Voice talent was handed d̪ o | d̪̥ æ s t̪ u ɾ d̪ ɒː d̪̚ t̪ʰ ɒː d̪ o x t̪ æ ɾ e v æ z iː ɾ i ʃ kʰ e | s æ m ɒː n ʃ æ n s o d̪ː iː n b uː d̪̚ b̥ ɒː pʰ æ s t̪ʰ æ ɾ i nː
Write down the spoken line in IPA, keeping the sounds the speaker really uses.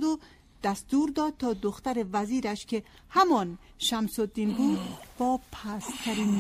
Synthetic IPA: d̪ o | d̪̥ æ s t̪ u ɾ d̪ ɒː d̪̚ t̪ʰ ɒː d̪ o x t̪ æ ɾ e v æ z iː ɾ æ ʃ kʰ e | h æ m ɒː n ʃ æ m s o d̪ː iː n b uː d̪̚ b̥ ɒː pʰ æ s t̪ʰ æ ɾ i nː